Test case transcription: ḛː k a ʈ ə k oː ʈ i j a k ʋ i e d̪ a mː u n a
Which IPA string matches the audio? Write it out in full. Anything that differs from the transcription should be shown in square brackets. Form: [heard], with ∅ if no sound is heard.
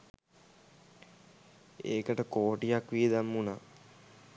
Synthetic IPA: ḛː k [ə] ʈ ə k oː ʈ i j a k ʋ i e d̪ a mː u n a